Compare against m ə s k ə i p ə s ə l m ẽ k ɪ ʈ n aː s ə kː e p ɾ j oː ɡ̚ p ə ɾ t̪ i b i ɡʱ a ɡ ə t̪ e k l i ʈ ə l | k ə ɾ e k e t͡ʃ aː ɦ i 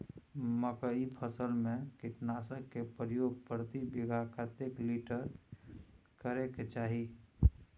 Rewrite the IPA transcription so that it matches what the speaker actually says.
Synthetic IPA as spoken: m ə k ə i pʰ ə s ə l m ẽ k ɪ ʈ n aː s ə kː e p ɾ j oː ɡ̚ p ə ɾ t̪ i b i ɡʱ a k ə t̪ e k l i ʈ ə ɾ | k ə ɾ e k e t͡ʃ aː ɦ i